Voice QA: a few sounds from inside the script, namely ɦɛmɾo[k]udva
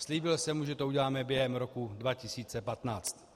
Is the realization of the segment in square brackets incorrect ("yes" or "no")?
no